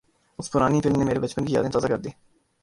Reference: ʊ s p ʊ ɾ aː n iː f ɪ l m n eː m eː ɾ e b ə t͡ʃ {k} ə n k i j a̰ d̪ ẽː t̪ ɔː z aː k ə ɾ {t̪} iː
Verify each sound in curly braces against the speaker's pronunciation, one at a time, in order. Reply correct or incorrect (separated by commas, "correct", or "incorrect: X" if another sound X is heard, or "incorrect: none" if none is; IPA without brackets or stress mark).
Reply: incorrect: p, incorrect: d̪